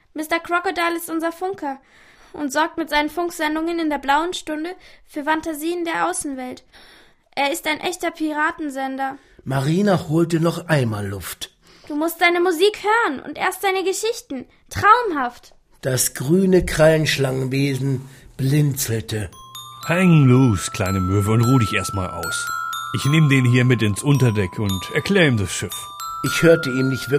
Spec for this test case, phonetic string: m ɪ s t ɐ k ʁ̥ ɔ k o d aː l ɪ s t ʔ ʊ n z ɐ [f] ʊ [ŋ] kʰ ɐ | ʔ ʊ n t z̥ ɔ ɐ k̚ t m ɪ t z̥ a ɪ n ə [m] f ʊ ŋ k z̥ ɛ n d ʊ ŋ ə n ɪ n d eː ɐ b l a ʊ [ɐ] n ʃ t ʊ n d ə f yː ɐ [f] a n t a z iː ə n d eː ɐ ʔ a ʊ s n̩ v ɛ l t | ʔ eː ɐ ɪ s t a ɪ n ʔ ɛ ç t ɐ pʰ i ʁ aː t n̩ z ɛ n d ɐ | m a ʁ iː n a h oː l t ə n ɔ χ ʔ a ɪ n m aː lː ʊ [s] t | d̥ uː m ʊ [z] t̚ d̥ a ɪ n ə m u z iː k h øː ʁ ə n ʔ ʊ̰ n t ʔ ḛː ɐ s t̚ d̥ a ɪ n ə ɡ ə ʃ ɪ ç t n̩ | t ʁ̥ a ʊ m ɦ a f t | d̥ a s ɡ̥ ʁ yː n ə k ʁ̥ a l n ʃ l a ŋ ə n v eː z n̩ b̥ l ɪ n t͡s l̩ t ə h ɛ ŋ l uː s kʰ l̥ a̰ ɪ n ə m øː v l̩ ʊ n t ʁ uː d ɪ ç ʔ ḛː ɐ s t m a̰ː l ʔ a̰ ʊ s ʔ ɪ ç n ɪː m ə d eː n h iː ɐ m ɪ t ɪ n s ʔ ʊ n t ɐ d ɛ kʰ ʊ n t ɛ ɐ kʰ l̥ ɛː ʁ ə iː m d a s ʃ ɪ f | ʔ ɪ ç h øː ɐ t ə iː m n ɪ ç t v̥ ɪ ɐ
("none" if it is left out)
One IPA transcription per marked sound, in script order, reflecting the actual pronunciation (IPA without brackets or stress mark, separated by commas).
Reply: f, ŋ, n, ə, f, f, s